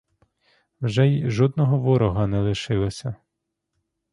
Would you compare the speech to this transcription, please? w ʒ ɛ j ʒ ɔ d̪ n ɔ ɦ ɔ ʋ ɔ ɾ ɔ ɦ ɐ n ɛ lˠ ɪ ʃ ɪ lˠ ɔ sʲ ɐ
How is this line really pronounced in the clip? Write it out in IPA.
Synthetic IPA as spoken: w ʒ ɛ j ʒ ɔ d̪ n ɔ ɦ ɔ ʋ ɔ ɾ ɔ ɦ ɐ n ɛ lˠ ɪ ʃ ɪ lˠ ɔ sʲ ɐ